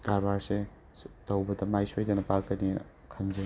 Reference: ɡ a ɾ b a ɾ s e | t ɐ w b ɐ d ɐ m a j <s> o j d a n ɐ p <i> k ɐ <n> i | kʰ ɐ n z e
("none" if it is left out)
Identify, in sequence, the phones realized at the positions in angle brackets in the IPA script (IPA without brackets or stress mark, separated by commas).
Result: s, a, n